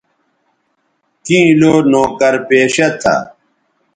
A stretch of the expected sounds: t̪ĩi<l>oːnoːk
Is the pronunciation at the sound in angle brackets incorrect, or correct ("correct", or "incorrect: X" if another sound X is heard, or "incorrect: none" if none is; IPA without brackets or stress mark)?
correct